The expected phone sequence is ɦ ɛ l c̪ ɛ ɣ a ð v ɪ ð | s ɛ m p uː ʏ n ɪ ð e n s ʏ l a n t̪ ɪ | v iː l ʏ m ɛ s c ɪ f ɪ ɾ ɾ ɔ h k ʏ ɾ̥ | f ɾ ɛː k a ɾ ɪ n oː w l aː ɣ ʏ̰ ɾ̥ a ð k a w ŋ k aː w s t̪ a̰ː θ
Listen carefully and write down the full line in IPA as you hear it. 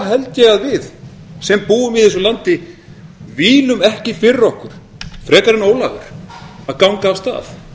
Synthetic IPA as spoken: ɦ ɛ l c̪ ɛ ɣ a ð v ɪ ð | s ɛ m p uː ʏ m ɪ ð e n s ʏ l a n t̪ ɪ | v iː l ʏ m ɛ h c ɪ f ɪ ɾ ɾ ɔ h k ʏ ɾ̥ | f ɾ ɛː k a ɾ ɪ n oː w l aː ɣ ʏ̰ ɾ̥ a ð k a w ŋ k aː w s t̪ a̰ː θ

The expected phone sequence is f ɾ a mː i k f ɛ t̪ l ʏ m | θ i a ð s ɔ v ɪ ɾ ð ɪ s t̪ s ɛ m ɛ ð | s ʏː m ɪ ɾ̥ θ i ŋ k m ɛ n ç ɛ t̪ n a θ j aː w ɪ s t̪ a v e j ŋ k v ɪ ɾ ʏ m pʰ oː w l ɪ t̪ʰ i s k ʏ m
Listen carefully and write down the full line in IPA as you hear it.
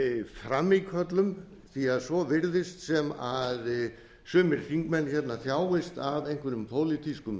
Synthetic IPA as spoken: f ɾ a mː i k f œ t̪ l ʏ m | θ i a ð s ɔ v ɪ ɾ ð ɪ s t̪ s ɛ m a ð | s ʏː m ɪ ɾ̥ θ i ŋ k m ɛ n ç ɛ t̪ n a θ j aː w ɪ s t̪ a v e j ŋ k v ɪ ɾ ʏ m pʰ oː w l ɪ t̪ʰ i s k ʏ m

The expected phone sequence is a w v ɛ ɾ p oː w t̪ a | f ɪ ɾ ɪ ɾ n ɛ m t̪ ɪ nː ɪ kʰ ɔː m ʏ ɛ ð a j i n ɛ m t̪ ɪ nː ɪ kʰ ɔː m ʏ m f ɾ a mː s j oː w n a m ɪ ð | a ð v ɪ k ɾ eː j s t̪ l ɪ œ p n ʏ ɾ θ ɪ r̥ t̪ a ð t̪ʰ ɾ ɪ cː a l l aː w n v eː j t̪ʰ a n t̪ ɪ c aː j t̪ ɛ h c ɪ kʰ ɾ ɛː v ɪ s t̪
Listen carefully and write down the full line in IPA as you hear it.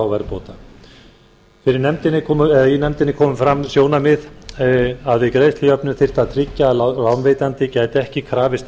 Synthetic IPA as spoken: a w v ɛ ɾ p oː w t̪ a | f ɪ ɾ ɪ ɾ n ɛ m t̪ ɪ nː ɪ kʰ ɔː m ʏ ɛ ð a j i n ɛ m t̪ ɪ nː ɪ kʰ ɔː m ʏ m f ɾ a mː s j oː w n a m ɪ ð | a ð v ɪ k ɾ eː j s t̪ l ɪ œ p n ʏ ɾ θ ɪ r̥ t̪ a ð t̪ʰ ɾ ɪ cː a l l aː w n v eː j t̪ a n t̪ ɪ c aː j t̪ ɛ h c ɪ kʰ ɾ aː v ɪ s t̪

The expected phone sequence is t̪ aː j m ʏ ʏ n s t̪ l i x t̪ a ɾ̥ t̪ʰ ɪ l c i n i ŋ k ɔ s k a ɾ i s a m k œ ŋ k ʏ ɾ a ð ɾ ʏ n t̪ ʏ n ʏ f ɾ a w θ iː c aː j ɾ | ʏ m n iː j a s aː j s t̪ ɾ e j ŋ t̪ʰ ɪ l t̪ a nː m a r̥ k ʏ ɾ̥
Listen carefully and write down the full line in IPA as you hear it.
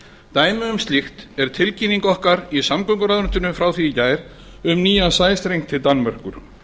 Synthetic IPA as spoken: t̪ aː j m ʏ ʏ m s t̪ l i x t̪ ɛ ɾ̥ t̪ʰ ɪ l c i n i ŋ k ɔ h k a ɾ i s a m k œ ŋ k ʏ ɾ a ð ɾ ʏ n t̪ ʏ n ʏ f ɾ a w θ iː c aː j ɾ | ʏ m n iː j a s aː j s t̪ ɾ e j ŋ t̪ʰ ɪ l t̪ a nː m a r̥ k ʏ ɾ̥

